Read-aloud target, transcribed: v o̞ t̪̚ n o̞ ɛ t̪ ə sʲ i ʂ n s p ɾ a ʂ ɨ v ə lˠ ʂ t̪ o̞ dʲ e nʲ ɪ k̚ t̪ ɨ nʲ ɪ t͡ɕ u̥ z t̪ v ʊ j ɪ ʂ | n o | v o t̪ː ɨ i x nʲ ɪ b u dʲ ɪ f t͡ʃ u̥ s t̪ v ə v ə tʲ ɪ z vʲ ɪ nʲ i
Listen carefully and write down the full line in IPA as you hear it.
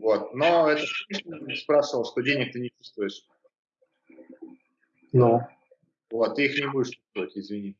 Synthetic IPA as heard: v o̞ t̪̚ n o̞ ɛ t̪ ə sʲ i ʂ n s p ɾ a ʂ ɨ v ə lˠ ʂ t̪ o̞ dʲ e nʲ ɪ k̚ t̪ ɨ nʲ ɪ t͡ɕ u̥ s t̪ v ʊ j ɪ ʂ | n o | v o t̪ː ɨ i x nʲ ɪ b u dʲ ɪ ʂ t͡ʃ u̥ s t̪ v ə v ə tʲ ɪ z vʲ ɪ nʲ i

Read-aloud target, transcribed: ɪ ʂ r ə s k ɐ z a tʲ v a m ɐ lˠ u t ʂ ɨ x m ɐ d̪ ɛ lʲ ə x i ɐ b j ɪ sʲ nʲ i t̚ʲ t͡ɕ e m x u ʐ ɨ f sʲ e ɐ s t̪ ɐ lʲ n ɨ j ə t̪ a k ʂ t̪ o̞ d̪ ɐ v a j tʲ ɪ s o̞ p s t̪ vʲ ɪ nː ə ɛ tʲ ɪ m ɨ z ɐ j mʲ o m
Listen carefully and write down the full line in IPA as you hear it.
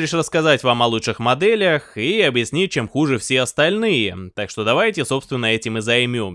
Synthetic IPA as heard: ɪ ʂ r ə s k ɐ z a tʲ v a m ɐ lˠ u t ʂ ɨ x m ɐ d̪ ɛ lʲ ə x i ɐ b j ɪ sʲ nʲ i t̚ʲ t͡ɕ e m x u ʐ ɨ f sʲ e ɐ s t̪ ɐ lʲ n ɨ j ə t̪ a k ʂ t̪ o̞ d̪ ɐ v a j tʲ ɪ s o̞ p s t̪ vʲ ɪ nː ə ɛ tʲ ɪ m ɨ z ɐ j mʲ o m

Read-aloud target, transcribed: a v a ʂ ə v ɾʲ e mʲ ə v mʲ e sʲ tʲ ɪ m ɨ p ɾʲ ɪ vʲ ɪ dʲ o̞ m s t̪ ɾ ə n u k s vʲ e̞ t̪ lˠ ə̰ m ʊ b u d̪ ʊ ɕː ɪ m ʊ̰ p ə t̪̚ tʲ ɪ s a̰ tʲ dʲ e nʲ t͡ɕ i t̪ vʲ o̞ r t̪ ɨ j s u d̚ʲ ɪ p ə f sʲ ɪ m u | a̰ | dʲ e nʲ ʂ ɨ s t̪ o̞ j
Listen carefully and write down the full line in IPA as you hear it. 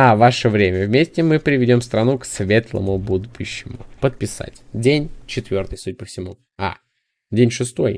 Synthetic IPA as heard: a v a ʂ ə v ɾʲ e mʲ ə v mʲ e sʲ tʲ ɪ m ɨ p ɾʲ ɪ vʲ ɪ dʲ o̞ m s t̪ ɾ ɐ n u k s vʲ e̞ t̪ lˠ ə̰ m ʊ b u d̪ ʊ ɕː ɪ m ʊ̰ p ə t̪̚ pʲ ɪ s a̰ tʲ dʲ e nʲ t͡ɕ ɪ t̪ vʲ o̞ r t̪ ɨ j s u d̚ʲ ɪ p ə f sʲ ɪ m u | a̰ | dʲ e nʲ ʂ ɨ s t̪ o̞ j

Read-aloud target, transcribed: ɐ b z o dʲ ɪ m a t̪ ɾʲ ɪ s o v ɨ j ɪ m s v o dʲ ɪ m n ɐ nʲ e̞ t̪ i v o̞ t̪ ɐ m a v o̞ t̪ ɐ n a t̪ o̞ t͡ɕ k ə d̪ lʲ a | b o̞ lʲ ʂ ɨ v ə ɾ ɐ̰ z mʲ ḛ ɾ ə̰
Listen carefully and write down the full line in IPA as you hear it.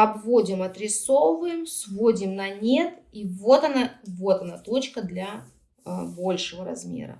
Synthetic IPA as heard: ɐ b v o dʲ ɪ m ɐ t̪ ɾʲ ɪ s o v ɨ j ɪ m s v o dʲ ɪ m n ɐ nʲ e̞ t̪ i v o̞ t̪ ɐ n a v o̞ t̪ ɐ n a t̪ o̞ t͡ɕ k ə d̪ lʲ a | b o̞ lʲ ʂ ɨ v ə ɾ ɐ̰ z mʲ ḛ ɾ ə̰

